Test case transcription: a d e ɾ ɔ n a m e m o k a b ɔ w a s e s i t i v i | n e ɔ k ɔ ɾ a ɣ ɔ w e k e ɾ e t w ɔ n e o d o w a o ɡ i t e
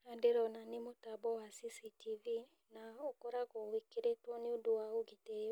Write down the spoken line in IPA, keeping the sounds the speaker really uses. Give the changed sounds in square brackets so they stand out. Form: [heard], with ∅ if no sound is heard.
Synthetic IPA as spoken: a d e ɾ ɔ n a [n] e m o [t] a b ɔ w a s [i] s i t i v i | n [a] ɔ k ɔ ɾ a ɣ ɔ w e k e ɾ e t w ɔ n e o d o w a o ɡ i t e